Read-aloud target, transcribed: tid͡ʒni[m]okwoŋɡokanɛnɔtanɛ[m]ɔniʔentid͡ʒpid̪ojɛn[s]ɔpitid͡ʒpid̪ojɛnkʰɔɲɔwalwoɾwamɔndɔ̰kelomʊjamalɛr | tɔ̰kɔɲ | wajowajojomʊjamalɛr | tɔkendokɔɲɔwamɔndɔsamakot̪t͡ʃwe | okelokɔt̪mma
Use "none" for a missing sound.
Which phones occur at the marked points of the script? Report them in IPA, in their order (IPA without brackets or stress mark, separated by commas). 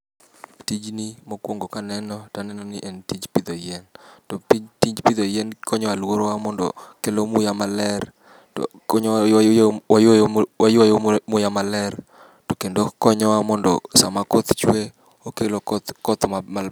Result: m, n, t